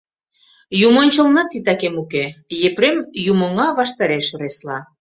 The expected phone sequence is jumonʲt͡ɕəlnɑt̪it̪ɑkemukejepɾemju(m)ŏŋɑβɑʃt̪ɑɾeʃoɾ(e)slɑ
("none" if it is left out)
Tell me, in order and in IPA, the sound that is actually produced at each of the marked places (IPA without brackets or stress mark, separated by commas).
m, e